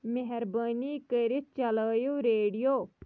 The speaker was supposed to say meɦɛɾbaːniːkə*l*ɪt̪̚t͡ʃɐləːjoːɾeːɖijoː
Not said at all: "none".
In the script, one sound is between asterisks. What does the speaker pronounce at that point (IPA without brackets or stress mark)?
ɾ